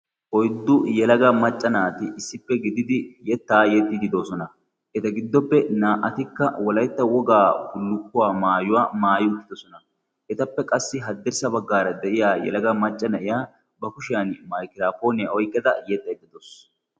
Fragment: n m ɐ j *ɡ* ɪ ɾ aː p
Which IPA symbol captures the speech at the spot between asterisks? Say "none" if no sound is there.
k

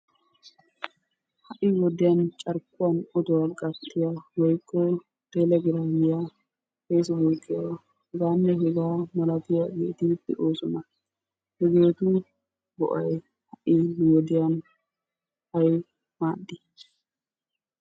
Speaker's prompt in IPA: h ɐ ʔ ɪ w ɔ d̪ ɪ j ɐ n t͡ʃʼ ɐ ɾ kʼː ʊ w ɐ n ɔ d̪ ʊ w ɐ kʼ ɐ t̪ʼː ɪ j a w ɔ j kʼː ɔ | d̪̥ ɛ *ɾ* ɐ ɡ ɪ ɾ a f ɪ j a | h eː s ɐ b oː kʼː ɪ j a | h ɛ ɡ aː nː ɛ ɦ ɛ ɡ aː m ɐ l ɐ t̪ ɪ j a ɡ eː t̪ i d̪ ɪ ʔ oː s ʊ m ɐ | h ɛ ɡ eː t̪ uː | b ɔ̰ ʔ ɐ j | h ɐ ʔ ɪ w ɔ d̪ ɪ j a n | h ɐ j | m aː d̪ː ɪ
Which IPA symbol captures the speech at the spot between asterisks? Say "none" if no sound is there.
l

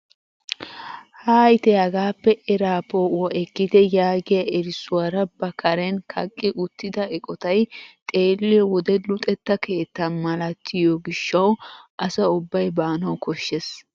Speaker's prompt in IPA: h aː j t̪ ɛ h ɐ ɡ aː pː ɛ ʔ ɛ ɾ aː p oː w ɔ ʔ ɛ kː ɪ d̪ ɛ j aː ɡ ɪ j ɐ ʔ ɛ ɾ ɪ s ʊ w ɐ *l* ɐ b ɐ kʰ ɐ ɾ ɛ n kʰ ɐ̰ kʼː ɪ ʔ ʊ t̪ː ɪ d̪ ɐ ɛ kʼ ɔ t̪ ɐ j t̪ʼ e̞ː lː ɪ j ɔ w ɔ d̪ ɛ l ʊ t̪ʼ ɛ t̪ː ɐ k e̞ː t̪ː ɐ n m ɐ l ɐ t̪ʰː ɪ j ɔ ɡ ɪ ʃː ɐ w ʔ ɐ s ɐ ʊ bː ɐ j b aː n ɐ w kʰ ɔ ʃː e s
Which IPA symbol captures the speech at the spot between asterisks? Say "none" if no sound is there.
ɾ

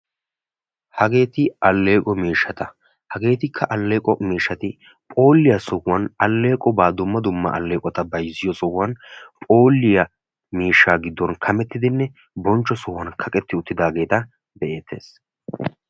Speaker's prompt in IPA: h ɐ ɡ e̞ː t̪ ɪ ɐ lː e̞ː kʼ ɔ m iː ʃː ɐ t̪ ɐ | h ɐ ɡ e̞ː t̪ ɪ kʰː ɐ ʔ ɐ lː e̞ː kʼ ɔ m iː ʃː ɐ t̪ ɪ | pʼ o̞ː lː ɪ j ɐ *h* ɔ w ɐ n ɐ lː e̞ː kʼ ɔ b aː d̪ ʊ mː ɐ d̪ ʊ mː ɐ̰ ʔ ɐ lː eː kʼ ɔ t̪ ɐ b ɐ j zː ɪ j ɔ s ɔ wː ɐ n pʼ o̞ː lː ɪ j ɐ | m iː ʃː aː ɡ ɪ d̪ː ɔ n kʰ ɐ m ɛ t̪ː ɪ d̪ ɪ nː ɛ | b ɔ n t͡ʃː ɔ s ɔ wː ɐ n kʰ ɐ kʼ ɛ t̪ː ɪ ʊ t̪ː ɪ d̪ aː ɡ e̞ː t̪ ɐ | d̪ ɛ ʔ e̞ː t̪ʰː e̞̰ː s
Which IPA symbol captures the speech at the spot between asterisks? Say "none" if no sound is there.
s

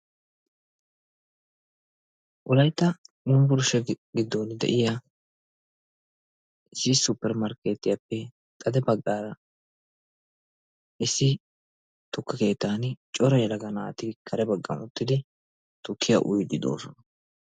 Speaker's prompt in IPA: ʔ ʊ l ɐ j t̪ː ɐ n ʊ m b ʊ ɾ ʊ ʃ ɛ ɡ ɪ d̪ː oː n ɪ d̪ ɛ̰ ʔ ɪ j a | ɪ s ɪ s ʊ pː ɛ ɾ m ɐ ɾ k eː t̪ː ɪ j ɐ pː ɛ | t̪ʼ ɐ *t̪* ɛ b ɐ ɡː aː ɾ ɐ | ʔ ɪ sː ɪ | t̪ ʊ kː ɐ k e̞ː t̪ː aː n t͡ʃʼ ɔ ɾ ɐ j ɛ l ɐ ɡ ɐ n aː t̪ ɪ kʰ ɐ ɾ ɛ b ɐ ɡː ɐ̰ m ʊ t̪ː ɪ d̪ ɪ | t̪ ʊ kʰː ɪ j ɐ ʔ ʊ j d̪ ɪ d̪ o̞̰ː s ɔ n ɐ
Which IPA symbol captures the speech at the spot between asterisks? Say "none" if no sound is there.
d̪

